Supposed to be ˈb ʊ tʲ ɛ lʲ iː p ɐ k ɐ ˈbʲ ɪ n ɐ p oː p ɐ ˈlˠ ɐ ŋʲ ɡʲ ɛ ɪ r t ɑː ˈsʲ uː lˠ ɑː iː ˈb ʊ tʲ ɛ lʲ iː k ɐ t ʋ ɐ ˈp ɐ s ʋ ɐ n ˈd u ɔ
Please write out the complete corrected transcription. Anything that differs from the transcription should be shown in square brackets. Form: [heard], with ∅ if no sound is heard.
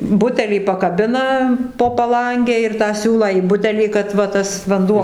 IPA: ˈb ʊ tʲ ɛ lʲ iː p ɐ k ɐ ˈbʲ ɪ n ɐ p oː p ɐ ˈlˠ ɐ ŋʲ ɡʲ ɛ ɪ r t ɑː ˈsʲ uː lˠ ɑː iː ˈb ʊ tʲ ɛ lʲ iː k ɐ t ʋ ɐ [ˈt] ɐ s ʋ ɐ n ˈd u ɔ

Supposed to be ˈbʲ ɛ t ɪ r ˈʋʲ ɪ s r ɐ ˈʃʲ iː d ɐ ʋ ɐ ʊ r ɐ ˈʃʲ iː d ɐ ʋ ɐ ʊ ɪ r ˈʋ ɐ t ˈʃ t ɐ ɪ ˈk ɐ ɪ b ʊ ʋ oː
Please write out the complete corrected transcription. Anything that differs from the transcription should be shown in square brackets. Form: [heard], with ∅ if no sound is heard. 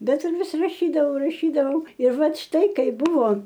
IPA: ˈbʲ ɛ t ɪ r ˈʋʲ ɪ s r ɐ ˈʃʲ iː d ɐ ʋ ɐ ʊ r ɐ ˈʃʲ iː d ɐ ʋ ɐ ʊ ɪ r ˈʋ ɐ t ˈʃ t ɐ ɪ ˈk ɐ ɪ b ʊ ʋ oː

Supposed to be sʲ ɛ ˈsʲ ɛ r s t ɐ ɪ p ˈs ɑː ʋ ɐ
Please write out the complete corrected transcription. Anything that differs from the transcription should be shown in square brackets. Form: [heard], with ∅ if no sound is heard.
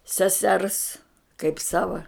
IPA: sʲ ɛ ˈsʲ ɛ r s [k] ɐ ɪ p ˈs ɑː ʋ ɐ

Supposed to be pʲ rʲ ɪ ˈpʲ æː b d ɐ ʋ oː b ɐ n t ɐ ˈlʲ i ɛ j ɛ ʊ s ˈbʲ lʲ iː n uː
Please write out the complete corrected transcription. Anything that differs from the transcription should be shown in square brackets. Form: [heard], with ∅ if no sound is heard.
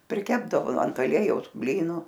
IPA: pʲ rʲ ɪ [ˈkʲ] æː b d ɐ ʋ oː [∅] ɐ n t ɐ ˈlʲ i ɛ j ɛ ʊ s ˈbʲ lʲ iː n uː

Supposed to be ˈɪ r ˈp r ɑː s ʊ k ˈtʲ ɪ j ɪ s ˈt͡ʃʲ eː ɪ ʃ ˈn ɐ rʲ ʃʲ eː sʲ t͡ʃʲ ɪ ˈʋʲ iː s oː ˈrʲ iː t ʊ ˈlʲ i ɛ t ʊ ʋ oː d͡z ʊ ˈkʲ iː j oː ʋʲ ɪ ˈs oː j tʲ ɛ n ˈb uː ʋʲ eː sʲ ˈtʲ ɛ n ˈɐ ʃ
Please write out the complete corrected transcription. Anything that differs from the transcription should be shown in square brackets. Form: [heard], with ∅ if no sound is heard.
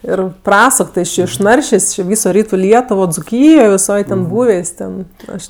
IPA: ˈɪ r ˈp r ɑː s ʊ k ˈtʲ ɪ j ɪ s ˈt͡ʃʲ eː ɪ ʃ ˈn ɐ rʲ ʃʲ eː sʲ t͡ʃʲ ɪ ˈʋʲ iː s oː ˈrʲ iː t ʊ ˈlʲ i ɛ t ʊ ʋ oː d͡z ʊ ˈkʲ iː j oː ʋʲ ɪ ˈs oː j tʲ ɛ n ˈb uː ʋʲ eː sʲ ˈtʲ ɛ n ˈɐ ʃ

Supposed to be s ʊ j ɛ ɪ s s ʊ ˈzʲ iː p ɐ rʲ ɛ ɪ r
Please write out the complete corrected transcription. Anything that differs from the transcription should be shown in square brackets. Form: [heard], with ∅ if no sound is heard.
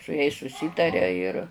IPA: s ʊ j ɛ ɪ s s ʊ [ˈsʲ] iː [t] ɐ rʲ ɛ ɪ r

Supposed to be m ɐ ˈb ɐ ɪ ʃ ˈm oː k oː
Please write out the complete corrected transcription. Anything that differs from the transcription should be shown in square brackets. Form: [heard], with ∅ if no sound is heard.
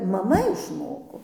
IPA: m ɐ [ˈm] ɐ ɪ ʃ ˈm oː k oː

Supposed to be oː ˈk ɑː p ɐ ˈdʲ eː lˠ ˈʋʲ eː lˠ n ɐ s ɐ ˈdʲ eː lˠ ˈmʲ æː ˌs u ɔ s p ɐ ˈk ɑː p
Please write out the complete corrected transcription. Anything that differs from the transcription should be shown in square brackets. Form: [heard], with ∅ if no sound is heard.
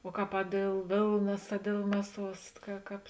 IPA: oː ˈk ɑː p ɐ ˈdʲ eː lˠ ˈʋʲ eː lˠ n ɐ s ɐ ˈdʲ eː lˠ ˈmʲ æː ˌs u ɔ s [k] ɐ ˈk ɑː p

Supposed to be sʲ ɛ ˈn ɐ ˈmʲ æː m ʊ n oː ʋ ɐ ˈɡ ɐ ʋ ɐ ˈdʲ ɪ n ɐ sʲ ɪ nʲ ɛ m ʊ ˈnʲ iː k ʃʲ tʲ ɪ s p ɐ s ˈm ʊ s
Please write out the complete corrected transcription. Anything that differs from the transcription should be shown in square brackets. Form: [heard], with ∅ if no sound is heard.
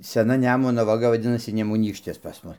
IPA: sʲ ɛ ˈn ɐ [ˈnʲ] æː m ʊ n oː ʋ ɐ ˈɡ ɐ ʋ ɐ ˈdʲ ɪ n ɐ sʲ ɪ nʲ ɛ m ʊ ˈnʲ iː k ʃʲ tʲ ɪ s p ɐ s ˈm ʊ s

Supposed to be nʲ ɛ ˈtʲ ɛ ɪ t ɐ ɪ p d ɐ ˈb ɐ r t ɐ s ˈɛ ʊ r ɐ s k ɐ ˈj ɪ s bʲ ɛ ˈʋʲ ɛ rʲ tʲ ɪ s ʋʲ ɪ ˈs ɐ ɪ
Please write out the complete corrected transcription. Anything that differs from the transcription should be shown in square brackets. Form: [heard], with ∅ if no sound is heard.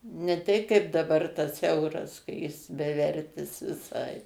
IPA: nʲ ɛ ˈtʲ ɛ ɪ [k] ɐ ɪ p d ɐ ˈb ɐ r t ɐ s ˈɛ ʊ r ɐ s k ɐ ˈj ɪ s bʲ ɛ ˈʋʲ ɛ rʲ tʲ ɪ s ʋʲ ɪ ˈs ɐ ɪ

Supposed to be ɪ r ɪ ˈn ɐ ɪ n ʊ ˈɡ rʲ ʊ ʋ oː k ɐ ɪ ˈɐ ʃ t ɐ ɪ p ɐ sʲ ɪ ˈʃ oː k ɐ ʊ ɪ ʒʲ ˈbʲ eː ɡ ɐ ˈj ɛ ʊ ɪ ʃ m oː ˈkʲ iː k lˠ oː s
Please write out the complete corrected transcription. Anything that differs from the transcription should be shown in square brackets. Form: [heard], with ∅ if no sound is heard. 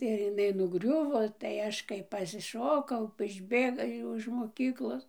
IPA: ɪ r ɪ ˈn ɐ ɪ n ʊ ˈɡ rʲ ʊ ʋ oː [t] ɐ ɪ ˈɐ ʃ [k] ɐ ɪ p ɐ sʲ ɪ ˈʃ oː k ɐ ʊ ɪ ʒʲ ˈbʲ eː ɡ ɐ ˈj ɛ ʊ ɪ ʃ m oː ˈkʲ iː k lˠ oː s

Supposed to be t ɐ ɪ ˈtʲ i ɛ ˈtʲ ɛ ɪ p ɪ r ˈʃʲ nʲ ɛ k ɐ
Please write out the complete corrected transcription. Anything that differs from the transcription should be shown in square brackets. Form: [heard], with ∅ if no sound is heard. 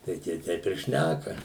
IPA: t ɐ ɪ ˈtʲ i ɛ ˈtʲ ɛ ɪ p ɪ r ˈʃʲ nʲ [æ] k ɐ

